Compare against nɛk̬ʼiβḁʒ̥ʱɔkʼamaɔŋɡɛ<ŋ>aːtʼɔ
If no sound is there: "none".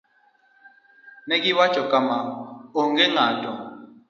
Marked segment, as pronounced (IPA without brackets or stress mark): ŋ